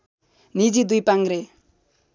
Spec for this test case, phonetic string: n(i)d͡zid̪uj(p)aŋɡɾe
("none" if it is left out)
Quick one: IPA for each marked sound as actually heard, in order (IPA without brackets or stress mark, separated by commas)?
i, p